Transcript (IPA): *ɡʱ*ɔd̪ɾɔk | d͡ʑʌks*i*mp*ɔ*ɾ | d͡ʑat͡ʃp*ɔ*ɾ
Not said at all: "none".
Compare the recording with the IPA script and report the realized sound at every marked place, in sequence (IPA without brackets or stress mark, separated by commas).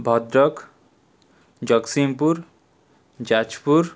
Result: bʱ, i, u, u